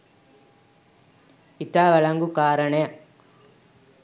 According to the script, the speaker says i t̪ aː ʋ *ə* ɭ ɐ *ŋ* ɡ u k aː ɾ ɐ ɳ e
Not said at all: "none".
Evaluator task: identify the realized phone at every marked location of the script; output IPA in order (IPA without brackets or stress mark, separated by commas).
ɐ, ŋ